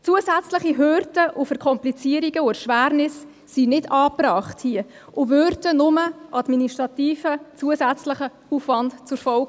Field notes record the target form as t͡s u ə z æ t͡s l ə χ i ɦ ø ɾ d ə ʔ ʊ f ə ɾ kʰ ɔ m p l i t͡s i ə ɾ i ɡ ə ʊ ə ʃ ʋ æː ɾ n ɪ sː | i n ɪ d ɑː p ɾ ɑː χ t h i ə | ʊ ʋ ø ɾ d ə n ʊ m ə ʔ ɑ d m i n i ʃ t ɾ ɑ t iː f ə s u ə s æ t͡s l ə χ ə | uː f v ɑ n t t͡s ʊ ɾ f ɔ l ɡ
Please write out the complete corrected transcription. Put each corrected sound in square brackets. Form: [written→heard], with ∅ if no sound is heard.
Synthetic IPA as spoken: t͡s u ə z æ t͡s l ə χ i ɦ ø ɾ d ə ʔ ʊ f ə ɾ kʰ ɔ m p l i t͡s i ə ɾ i ɡ ə ʊ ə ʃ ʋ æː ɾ n ɪ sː | i n ɪ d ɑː p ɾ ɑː χ t h i ə | ʊ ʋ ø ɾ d ə n ʊ m ə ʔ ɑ d m i n i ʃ t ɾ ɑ t iː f ə [s→t͡s] u ə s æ t͡s l ə χ ə | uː f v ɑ n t t͡s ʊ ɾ f ɔ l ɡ